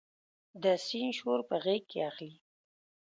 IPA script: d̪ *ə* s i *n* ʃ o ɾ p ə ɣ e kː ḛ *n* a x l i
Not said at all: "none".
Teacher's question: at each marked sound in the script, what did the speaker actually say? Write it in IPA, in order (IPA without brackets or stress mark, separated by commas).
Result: ə, n, none